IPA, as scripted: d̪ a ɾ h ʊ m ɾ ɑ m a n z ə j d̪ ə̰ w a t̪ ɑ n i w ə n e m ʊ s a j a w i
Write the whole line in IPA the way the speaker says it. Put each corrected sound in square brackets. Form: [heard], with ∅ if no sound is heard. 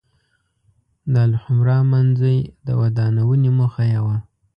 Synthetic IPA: d̪ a [l] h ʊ m ɾ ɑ m a n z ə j d̪ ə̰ w a [d̪] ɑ n [a] w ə n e m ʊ [x] a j a w [a]

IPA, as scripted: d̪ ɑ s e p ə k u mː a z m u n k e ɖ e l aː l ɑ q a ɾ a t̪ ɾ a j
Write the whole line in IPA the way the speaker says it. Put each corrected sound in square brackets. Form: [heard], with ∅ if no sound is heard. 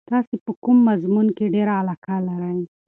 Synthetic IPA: [t̪] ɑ s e p ə k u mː a z m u n k e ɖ e [ɾ] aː l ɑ [k] a [l] a [∅] ɾ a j

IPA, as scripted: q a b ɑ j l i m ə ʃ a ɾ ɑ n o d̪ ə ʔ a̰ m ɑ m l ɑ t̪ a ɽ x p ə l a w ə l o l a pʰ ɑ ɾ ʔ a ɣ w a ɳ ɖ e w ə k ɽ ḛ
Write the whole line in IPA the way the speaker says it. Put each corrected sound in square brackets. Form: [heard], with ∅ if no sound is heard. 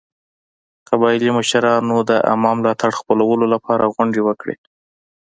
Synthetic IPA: q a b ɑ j l i m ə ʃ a ɾ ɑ n o d̪ ə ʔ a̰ m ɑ m l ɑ t̪ a ɽ x p ə l a w ə l o l a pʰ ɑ ɾ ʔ a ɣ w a ɳ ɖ e w ə k ɽ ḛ

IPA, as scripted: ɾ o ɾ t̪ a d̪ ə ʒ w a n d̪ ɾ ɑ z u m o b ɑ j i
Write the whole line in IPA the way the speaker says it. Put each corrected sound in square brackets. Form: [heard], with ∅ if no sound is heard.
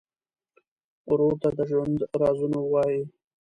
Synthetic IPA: ɾ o ɾ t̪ a d̪ ə ʒ w a n d̪ ɾ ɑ z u [n] o [w] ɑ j i

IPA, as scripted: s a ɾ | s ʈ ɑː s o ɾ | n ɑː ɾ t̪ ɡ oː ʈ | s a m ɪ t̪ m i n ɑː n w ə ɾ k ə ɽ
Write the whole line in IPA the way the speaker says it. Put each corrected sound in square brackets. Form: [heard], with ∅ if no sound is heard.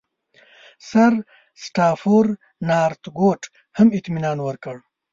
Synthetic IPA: s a ɾ | s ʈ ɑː [f] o ɾ | n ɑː ɾ t̪ ɡ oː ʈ | [h] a m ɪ t̪ m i n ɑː n w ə ɾ k ə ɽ

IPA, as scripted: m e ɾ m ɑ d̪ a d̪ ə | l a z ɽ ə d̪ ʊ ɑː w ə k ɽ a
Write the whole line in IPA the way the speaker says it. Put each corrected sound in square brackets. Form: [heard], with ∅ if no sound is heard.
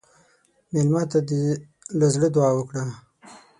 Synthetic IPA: m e [l] m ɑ [t̪] a d̪ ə | l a z ɽ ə d̪ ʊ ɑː w ə k ɽ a

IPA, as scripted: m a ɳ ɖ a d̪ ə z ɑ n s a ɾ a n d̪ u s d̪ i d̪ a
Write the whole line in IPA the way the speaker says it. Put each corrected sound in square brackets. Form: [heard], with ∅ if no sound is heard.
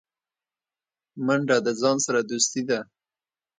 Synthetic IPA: m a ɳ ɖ a d̪ ə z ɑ n s a ɾ a [∅] d̪ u s [t̪] i d̪ a

